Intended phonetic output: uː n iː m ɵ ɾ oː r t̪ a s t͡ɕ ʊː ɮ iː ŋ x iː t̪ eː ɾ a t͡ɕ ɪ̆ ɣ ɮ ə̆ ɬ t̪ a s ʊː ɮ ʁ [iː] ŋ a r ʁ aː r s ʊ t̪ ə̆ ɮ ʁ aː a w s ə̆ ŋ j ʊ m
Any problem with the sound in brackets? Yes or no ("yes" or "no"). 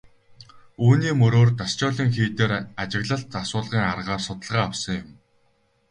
no